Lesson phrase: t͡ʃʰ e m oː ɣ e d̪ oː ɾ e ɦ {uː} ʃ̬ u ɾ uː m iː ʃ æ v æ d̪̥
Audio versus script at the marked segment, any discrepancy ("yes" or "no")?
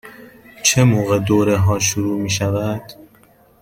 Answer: yes